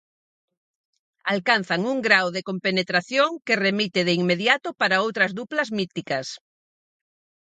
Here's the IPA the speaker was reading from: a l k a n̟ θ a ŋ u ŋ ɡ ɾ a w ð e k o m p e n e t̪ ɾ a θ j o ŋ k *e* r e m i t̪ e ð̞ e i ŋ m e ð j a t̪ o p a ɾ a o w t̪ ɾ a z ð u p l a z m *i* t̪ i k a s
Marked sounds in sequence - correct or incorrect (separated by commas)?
correct, correct